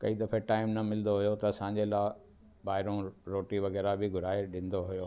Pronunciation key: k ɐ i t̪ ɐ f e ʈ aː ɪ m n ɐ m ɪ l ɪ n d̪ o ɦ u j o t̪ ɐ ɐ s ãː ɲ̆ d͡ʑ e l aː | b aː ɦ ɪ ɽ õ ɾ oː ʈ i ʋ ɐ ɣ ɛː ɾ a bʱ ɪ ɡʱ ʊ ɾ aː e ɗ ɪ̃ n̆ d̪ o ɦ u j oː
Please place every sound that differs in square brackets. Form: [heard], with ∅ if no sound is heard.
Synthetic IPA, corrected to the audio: k ɐ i [d̪] ɐ f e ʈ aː ɪ m n ɐ m ɪ l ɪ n d̪ o ɦ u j o t̪ ɐ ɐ s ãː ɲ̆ d͡ʑ e l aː | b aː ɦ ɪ [ɾ] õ ɾ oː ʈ i ʋ ɐ ɣ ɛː ɾ a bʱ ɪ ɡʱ ʊ ɾ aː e ɗ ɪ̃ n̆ d̪ o ɦ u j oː